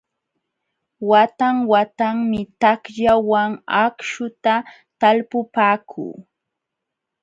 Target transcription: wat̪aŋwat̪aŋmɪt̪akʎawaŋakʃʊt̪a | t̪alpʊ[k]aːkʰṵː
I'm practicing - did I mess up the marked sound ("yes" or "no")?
yes